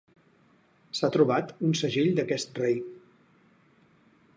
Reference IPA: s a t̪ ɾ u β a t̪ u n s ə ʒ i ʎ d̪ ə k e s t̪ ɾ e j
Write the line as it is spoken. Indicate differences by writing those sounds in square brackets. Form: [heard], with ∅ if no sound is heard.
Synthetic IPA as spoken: s a t̪ ɾ u β a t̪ u n s ə ʒ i ʎ d̪ ə k [ɛ] s t̪ [r] e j